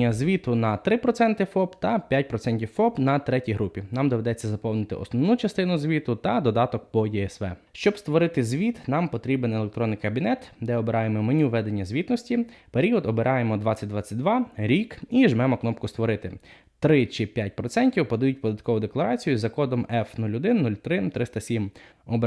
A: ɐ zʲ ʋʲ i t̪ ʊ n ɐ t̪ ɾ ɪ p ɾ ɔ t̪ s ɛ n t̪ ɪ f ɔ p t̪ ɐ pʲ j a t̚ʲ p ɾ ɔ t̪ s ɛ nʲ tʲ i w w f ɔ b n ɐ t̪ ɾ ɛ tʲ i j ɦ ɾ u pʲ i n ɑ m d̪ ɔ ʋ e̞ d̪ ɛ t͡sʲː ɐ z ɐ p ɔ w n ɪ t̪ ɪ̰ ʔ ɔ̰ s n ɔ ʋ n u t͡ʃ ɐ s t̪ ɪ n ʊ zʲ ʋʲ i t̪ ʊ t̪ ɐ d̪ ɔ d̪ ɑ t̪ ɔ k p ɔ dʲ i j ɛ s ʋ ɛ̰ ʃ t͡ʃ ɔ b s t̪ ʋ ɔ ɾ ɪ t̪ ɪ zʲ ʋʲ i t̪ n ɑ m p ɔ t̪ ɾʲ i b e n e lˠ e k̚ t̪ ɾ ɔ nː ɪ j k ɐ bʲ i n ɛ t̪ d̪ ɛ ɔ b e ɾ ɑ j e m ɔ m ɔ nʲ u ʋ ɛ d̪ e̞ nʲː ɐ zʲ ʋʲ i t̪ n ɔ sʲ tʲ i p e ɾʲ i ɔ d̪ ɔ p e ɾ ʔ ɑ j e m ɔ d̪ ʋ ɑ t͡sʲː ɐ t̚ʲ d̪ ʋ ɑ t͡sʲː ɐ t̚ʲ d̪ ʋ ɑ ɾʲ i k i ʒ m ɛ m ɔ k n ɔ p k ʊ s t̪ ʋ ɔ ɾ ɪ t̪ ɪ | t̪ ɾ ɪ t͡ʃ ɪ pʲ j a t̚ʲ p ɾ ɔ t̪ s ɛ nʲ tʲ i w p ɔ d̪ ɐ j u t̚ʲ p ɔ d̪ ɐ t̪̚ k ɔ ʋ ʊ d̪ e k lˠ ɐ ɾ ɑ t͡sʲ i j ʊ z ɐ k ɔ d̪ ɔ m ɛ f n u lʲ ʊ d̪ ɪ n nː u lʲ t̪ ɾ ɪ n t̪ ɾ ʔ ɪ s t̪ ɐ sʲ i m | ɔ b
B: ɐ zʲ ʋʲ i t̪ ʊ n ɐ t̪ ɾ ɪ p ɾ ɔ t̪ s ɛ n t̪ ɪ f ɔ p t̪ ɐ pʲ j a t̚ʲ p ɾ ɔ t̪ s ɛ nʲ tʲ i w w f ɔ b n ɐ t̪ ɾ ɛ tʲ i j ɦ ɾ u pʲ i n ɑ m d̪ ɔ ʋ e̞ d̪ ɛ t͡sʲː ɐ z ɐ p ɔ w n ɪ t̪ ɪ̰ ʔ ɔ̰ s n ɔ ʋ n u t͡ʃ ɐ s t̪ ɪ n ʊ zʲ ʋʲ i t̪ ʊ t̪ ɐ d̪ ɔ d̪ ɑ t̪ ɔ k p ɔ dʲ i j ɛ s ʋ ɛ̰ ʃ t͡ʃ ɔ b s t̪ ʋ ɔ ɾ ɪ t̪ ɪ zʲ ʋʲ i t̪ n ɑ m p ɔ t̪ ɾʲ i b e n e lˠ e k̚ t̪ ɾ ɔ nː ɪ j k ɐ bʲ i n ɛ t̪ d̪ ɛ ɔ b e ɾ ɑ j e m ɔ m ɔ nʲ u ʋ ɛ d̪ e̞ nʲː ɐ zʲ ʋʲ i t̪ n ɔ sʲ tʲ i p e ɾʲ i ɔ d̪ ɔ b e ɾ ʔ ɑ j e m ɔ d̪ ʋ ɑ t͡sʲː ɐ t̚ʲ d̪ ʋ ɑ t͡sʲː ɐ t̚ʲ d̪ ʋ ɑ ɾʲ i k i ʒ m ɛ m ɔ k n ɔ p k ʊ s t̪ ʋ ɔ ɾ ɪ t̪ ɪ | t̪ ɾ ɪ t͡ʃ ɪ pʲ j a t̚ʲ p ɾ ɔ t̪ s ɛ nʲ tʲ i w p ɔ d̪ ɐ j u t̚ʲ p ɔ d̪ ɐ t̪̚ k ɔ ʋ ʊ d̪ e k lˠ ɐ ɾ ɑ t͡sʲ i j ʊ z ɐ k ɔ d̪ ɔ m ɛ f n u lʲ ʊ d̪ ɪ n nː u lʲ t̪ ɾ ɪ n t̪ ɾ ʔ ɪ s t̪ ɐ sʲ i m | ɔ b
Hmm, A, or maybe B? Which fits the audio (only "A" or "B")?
B